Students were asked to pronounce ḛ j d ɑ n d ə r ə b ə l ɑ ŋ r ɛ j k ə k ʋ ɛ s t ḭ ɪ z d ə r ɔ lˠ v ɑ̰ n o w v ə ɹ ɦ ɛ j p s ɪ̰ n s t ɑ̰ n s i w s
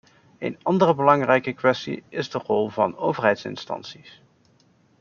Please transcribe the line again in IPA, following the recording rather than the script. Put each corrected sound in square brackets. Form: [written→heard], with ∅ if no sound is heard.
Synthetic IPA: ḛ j [d→n] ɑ n d ə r ə b ə l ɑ ŋ r ɛ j k ə k ʋ ɛ s t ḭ ɪ z d ə r ɔ lˠ v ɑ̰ n o w v ə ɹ ɦ ɛ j [p→t] s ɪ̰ n s t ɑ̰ n s i [w→∅] s